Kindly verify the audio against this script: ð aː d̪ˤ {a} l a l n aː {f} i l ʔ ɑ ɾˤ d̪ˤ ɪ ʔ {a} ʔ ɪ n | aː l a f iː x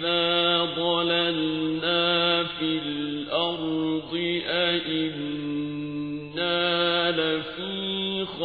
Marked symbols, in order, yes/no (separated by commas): no, yes, yes